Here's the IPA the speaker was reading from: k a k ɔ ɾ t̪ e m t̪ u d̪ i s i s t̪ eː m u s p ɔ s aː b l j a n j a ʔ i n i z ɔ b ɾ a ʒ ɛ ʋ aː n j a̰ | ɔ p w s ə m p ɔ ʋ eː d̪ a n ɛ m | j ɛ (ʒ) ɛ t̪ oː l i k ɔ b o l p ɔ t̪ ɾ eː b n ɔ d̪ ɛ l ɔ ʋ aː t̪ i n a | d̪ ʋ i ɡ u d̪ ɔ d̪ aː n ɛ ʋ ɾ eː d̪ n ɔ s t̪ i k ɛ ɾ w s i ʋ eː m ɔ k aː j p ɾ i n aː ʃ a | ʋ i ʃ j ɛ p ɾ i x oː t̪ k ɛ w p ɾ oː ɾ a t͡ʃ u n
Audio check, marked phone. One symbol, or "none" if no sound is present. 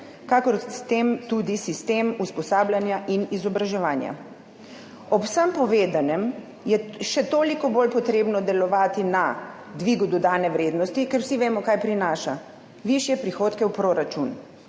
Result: ʃ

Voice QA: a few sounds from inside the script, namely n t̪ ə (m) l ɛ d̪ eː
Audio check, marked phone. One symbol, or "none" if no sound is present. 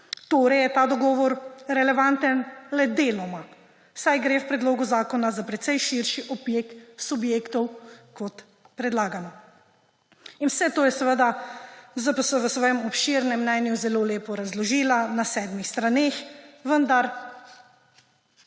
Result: n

